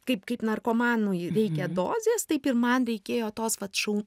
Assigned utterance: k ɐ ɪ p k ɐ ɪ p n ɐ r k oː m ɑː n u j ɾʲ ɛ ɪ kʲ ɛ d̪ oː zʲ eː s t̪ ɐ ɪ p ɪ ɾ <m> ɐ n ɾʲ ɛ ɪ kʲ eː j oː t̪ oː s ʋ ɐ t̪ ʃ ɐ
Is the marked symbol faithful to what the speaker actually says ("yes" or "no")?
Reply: yes